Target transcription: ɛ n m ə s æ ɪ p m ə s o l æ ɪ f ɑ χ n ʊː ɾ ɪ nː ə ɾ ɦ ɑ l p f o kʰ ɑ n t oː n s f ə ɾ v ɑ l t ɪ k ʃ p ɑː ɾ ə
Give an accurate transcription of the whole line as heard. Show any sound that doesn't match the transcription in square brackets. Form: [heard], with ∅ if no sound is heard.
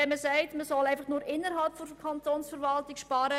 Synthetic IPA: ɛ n m ə s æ ɪ [t] m ə s [ɔ] l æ ɪ f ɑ χ n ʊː ɾ ɪ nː ə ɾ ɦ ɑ l p f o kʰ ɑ n t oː n s f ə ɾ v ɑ l t ɪ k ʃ p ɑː ɾ ə